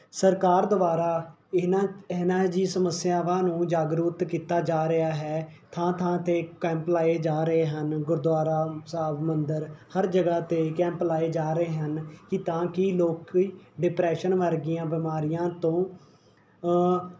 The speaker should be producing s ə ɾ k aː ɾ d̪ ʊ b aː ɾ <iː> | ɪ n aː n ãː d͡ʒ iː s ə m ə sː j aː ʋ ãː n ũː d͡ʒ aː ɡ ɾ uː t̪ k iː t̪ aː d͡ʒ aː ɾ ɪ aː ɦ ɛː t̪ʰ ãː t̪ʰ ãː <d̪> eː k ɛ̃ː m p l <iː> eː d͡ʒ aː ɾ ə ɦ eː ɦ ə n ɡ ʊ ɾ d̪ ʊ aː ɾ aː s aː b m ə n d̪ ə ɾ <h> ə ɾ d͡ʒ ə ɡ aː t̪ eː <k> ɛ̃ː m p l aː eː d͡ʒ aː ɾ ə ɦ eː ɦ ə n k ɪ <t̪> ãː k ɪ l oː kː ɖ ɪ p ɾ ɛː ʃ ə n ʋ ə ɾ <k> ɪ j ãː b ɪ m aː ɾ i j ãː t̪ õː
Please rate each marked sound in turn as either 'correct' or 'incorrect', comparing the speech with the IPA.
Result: incorrect, incorrect, incorrect, correct, correct, correct, incorrect

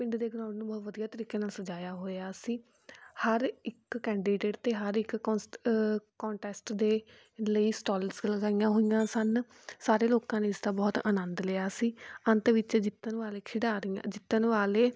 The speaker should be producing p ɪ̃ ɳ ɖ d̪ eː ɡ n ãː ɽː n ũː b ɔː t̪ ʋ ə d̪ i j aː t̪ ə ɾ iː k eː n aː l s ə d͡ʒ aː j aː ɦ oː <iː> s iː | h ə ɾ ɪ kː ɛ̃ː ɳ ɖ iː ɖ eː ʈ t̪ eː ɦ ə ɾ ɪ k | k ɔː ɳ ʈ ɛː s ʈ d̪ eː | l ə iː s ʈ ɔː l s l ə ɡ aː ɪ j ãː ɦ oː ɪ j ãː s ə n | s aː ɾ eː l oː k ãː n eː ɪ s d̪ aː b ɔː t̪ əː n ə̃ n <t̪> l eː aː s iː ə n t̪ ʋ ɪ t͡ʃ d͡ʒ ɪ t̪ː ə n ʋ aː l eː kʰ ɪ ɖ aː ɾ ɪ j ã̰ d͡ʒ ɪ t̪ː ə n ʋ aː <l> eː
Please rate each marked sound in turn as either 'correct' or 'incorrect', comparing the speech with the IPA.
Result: incorrect, incorrect, correct

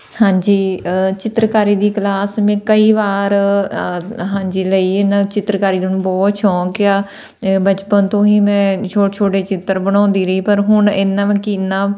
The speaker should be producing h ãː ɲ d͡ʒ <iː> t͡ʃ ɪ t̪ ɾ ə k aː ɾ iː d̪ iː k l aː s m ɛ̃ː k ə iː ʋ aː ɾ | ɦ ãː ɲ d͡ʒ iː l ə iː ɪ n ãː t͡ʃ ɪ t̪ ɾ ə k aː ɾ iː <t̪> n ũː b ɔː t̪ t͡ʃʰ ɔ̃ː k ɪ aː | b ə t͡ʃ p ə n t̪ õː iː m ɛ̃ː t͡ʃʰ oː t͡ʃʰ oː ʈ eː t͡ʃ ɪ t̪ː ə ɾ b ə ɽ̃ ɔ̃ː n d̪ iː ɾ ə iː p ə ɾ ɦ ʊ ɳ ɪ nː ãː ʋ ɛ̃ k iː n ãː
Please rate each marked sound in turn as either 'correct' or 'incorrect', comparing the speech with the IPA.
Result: correct, incorrect

